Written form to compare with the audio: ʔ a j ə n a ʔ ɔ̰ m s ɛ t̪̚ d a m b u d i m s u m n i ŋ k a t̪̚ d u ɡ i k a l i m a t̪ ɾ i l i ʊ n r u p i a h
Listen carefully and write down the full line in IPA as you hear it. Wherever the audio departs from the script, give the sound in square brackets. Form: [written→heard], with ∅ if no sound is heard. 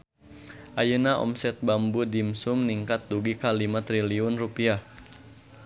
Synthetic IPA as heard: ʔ a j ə n a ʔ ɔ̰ m s ɛ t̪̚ [d→b] a m b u d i m s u m n i ŋ k a t̪̚ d u ɡ i k a l i m a t̪ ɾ i l i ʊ n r u p i a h

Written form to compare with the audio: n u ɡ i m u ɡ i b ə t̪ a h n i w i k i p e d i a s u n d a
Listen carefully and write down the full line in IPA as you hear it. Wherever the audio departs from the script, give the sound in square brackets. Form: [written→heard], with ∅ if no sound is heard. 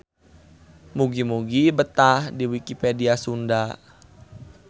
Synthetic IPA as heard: [n→m] u ɡ i m u ɡ i b ə t̪ a h [n→d] i w i k i p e d i a s u n d a

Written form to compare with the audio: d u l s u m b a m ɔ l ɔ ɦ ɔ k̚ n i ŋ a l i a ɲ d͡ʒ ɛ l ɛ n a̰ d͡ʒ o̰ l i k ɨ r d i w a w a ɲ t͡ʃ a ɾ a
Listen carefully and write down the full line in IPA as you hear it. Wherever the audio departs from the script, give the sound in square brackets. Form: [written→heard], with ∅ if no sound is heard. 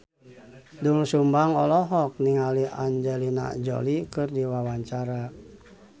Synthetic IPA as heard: d u l s u m b a [m→ŋ] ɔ l ɔ ɦ ɔ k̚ n i ŋ a l i a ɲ d͡ʒ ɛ l [ɛ→i] n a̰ d͡ʒ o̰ l i k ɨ r d i w a w a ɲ t͡ʃ a ɾ a

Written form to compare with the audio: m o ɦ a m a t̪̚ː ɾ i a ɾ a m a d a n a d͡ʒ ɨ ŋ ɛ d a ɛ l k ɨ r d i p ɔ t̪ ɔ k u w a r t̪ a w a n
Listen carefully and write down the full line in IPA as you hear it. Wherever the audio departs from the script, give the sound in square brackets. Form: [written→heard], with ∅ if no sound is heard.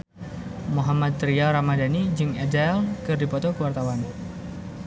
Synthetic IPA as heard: m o ɦ a m a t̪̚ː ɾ i a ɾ a m a d a n [a→i] d͡ʒ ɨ ŋ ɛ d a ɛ l k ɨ r d i p ɔ t̪ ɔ k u w a r t̪ a w a n

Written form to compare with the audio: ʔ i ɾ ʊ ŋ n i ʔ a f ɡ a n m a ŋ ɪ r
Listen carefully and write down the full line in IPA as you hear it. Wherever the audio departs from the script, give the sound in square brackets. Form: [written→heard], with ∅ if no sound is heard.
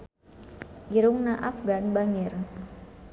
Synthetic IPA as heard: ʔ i ɾ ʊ ŋ n [i→a] ʔ a f ɡ a n [m→b] a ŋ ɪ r

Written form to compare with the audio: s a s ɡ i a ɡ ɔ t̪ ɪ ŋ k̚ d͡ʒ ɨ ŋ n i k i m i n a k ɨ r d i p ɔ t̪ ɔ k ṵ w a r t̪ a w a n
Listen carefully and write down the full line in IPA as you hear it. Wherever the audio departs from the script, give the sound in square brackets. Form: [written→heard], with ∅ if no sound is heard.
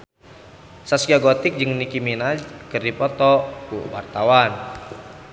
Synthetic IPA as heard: s a s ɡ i a ɡ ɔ t̪ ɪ [ŋ→∅] k̚ d͡ʒ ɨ ŋ n i k i m i n a k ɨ r d i p ɔ t̪ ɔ k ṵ w a r t̪ a w a n

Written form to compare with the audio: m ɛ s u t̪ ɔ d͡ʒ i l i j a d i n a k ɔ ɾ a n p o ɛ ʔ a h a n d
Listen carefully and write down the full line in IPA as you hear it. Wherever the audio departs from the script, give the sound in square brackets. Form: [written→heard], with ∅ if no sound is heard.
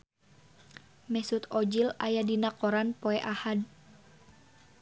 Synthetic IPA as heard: m ɛ s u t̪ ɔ d͡ʒ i l [i→a] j a d i n a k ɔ ɾ a n p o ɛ ʔ a h a [n→∅] d

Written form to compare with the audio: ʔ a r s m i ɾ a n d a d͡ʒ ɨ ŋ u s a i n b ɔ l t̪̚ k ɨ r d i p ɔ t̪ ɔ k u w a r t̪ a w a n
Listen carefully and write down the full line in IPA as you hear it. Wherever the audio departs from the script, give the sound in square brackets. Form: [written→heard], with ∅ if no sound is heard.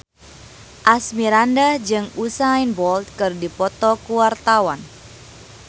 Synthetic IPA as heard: ʔ a [r→∅] s m i ɾ a n d a d͡ʒ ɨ ŋ u s a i n b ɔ l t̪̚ k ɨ r d i p ɔ t̪ ɔ k u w a r t̪ a w a n

